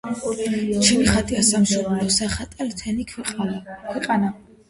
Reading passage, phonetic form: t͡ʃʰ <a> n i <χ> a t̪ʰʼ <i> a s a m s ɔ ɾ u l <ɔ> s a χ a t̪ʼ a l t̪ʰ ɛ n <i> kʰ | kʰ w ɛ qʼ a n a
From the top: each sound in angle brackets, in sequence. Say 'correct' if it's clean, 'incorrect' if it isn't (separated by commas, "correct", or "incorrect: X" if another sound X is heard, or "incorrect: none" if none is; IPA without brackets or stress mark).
incorrect: ɛ, correct, correct, correct, correct